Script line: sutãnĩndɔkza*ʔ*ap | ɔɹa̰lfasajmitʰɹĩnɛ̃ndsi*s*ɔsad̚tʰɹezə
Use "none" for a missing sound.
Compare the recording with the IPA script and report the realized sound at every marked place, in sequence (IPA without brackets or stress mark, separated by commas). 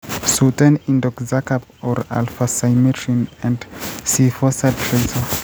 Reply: k, f